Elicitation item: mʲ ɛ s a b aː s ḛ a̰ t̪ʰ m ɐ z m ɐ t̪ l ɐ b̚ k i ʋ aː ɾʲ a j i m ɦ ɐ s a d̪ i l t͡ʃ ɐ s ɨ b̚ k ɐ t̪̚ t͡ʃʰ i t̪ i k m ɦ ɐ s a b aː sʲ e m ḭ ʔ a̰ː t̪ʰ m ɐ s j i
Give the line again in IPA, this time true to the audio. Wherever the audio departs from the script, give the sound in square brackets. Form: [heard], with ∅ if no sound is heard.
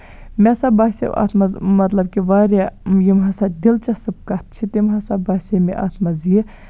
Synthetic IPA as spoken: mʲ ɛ s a b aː s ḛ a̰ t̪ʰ m ɐ z m ɐ t̪ l ɐ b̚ k i ʋ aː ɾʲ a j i m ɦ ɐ s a d̪ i l t͡ʃ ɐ s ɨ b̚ k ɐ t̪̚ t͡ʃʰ i t̪ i [∅] m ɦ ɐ s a b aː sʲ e m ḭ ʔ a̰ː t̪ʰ m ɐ [z] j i